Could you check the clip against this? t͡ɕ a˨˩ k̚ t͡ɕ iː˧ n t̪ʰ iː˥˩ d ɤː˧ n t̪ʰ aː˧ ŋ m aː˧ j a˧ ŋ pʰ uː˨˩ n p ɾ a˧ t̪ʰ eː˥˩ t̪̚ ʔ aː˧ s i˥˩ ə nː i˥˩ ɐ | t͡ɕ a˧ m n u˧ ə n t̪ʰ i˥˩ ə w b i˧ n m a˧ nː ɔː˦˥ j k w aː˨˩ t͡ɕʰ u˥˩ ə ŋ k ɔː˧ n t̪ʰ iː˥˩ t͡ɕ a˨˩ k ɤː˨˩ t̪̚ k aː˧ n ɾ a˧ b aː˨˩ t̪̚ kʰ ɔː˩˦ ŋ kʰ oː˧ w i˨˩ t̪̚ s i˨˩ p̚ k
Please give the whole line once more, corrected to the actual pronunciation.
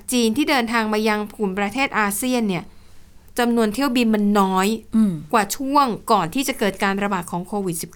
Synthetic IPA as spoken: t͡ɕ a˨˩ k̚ t͡ɕ iː˧ n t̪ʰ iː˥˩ d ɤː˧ n t̪ʰ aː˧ ŋ m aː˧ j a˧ ŋ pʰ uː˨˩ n p ɾ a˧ t̪ʰ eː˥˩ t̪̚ ʔ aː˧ s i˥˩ ə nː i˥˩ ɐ | t͡ɕ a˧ m n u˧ ə n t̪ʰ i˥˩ ə w b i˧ n m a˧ nː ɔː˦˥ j k w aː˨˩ t͡ɕʰ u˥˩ ə ŋ k ɔː˨˩ n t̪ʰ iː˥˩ t͡ɕ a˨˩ k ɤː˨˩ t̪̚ k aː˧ n ɾ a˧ b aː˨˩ t̪̚ kʰ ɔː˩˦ ŋ kʰ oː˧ w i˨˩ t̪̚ s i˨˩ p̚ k